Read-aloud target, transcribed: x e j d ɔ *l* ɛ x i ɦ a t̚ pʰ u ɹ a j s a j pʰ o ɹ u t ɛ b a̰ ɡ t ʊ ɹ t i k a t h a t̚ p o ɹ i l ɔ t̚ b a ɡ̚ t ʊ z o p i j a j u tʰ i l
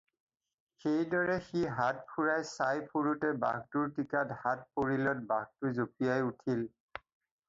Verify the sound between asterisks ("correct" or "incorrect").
incorrect